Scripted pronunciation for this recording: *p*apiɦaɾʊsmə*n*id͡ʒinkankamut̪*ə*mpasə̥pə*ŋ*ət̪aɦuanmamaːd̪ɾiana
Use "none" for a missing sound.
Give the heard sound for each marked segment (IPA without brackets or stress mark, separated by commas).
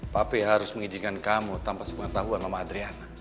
p, ŋ, a, ŋ